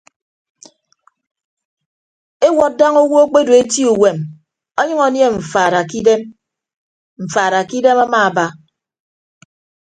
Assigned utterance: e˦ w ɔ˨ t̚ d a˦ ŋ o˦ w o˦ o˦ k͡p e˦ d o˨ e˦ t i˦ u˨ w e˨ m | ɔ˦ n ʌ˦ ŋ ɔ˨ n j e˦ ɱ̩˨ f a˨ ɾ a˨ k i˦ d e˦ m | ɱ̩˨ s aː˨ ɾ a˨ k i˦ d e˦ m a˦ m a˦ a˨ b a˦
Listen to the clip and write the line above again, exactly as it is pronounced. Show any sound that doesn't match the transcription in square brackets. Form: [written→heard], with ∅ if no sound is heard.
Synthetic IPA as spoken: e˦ w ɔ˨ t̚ d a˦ ŋ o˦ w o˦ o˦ k͡p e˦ d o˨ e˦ t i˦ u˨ w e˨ m | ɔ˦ [n→ɲ] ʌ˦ ŋ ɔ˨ n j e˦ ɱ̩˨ f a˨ ɾ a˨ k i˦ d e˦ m | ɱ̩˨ [s→f] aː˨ ɾ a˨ k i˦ d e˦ m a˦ m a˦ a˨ b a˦